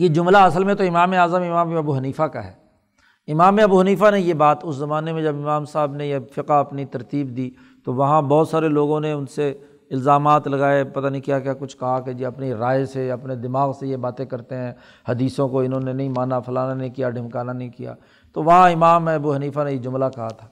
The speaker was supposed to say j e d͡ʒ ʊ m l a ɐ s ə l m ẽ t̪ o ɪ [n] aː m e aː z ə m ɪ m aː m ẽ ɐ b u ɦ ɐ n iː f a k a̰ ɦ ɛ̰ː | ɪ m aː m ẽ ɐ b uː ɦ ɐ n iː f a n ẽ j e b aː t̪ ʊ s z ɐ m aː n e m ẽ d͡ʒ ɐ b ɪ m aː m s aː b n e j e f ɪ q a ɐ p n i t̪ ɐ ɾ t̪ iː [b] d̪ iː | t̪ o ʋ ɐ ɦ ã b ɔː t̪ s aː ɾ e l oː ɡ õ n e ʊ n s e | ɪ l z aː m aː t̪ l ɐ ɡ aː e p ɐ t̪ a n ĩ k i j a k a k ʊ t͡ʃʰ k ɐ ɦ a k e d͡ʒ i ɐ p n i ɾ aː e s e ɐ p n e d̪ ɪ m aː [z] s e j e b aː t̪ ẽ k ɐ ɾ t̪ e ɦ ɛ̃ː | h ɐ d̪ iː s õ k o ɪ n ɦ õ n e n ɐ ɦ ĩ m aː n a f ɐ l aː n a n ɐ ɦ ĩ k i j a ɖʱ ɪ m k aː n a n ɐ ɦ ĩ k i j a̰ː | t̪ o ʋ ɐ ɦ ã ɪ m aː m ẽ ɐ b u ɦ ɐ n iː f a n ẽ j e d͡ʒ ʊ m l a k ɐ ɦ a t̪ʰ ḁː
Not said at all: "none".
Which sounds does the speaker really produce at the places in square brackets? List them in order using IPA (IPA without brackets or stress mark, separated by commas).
m, b, ɣ